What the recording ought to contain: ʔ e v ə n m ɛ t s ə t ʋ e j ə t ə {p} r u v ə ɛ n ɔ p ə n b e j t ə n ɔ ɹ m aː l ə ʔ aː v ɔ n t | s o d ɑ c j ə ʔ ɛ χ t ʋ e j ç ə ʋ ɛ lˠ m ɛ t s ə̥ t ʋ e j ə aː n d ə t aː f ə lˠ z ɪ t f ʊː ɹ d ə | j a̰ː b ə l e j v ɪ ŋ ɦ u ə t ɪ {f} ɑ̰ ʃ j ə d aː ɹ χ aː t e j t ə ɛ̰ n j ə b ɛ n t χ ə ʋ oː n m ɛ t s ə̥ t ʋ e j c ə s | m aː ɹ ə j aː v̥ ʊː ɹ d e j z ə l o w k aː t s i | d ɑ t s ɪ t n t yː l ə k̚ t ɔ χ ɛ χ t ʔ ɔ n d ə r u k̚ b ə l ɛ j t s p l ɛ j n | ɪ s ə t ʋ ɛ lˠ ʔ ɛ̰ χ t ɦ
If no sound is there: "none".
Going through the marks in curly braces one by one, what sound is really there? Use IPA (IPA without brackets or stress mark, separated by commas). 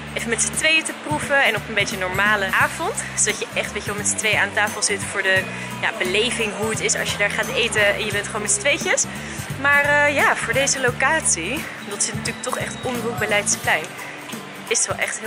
p, s